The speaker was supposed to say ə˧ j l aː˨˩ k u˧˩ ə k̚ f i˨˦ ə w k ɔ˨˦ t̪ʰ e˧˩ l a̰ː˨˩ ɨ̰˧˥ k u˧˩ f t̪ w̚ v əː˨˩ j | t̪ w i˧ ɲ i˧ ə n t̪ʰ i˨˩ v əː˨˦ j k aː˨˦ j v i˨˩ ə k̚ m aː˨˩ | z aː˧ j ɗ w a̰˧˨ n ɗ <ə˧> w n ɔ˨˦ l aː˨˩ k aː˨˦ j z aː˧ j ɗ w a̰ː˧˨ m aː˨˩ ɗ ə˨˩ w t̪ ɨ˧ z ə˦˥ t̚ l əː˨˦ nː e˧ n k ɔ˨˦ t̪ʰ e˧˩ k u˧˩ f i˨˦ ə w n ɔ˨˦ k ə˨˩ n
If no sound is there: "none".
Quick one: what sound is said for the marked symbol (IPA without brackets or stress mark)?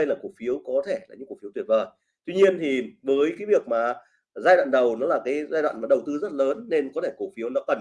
ə˨˩